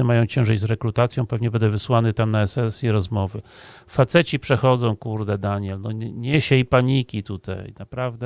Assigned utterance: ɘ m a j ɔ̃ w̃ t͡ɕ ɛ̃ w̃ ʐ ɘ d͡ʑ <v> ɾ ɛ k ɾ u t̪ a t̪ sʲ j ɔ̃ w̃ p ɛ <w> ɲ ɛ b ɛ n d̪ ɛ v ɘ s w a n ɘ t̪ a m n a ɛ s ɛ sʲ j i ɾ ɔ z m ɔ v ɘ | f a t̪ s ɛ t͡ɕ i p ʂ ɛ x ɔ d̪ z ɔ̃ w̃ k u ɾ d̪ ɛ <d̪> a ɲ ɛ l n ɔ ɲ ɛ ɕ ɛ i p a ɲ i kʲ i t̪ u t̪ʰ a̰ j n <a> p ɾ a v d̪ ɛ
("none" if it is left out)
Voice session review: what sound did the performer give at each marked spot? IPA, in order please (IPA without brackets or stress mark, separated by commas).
z, v, d̪, a